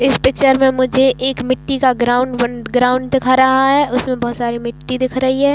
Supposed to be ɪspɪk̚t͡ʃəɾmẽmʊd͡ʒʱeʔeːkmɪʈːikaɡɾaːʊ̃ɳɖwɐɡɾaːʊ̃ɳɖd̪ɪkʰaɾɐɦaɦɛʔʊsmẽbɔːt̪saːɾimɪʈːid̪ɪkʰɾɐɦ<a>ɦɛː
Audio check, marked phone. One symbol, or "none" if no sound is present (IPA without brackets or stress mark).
i